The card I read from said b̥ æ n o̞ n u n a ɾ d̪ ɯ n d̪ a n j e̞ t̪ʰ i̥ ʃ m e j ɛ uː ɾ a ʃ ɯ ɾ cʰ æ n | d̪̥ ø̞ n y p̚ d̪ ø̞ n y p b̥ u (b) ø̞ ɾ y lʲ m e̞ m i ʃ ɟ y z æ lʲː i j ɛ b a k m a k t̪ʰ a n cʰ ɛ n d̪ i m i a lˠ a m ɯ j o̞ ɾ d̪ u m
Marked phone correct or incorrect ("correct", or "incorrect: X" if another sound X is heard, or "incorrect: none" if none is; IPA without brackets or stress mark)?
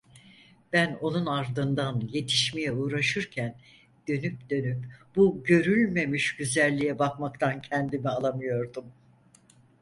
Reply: incorrect: ɟ